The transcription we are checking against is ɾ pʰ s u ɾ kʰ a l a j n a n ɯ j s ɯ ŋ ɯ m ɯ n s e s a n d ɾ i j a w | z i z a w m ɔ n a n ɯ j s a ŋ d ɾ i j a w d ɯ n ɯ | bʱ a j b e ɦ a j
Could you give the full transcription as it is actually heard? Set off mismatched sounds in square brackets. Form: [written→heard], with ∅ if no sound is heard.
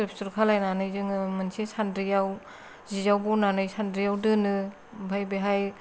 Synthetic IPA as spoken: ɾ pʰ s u ɾ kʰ a l a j n a n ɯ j [s→z] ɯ ŋ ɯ m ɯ n s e s a n d ɾ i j a w | z i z a w [m→b] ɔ n a n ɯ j s a [ŋ→n] d ɾ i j a w d ɯ n ɯ | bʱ a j b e ɦ a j